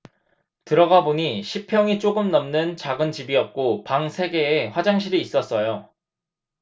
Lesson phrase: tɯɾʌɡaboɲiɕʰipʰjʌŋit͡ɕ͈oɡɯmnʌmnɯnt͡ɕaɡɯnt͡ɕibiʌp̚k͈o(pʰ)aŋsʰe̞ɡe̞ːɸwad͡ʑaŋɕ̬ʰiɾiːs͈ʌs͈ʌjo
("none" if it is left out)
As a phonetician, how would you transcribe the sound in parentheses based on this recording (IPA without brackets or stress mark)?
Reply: p